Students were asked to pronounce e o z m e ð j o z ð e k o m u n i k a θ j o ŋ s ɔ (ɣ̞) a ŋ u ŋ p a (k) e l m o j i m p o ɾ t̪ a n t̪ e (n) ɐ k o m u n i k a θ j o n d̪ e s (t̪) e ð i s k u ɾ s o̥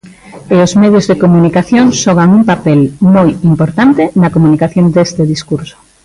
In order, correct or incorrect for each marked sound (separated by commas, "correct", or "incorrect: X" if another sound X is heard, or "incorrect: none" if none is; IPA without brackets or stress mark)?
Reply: correct, incorrect: p, correct, correct